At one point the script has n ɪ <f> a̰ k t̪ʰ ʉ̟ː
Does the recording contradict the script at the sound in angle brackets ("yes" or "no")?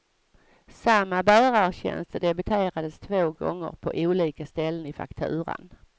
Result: no